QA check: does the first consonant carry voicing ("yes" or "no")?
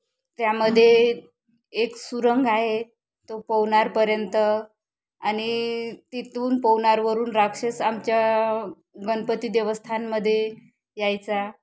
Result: no